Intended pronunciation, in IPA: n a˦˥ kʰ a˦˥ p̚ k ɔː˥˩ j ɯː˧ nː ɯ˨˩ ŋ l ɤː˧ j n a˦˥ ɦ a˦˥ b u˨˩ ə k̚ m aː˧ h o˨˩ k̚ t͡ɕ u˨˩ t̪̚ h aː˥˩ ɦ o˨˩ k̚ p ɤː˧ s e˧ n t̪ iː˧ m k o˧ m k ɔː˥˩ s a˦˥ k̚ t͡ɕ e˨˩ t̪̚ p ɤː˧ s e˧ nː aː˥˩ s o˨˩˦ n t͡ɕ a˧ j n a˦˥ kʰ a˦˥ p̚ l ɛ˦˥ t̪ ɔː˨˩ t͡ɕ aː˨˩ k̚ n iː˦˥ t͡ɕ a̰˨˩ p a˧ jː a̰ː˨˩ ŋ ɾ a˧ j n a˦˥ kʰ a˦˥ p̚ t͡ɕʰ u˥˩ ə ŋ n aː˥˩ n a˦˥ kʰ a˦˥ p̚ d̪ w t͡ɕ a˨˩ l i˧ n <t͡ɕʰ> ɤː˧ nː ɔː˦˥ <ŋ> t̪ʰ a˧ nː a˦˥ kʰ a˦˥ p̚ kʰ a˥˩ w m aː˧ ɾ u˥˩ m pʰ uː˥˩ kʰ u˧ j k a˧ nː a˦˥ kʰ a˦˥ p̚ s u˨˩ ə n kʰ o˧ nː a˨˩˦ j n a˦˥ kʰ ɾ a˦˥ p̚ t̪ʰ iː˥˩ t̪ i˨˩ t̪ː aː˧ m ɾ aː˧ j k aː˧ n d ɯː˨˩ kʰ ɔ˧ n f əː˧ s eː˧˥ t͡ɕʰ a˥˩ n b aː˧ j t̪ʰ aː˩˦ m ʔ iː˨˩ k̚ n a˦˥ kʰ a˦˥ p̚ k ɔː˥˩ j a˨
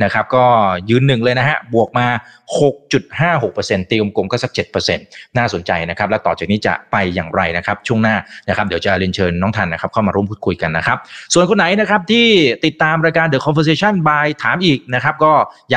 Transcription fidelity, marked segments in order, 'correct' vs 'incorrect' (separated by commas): correct, correct